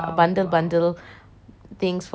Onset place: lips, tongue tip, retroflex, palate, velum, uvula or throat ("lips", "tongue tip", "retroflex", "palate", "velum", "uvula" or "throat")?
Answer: lips